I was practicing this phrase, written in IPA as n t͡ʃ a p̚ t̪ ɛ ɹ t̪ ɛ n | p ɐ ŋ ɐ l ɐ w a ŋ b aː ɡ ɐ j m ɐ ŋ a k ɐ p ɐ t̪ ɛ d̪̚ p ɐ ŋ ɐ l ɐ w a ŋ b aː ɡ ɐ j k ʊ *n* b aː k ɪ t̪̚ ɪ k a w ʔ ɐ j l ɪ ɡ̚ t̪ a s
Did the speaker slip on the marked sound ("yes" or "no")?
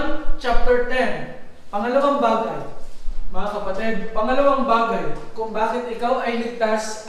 yes